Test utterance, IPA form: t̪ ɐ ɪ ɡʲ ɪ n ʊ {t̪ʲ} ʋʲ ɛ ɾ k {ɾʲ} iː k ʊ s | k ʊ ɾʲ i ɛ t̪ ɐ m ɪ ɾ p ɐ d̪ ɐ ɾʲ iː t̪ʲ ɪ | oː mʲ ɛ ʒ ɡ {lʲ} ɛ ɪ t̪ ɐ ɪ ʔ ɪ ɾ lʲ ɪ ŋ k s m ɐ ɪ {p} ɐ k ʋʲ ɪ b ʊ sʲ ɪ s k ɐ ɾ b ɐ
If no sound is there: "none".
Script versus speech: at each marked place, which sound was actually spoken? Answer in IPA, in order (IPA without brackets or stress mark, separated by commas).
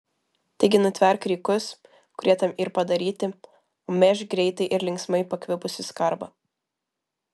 t̪ʲ, ɾʲ, ɾʲ, p